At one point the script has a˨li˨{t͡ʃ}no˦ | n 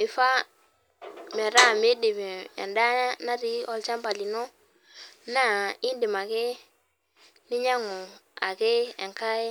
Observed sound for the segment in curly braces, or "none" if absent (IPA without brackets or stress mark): none